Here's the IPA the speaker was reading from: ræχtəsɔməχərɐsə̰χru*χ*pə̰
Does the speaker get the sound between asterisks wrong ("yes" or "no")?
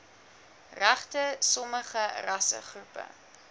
yes